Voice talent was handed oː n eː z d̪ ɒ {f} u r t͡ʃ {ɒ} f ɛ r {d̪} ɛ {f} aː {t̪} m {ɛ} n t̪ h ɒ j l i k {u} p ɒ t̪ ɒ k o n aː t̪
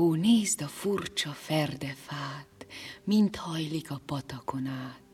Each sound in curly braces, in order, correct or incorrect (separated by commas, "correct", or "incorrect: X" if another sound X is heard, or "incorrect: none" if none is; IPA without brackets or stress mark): correct, correct, correct, correct, correct, incorrect: i, incorrect: ɒ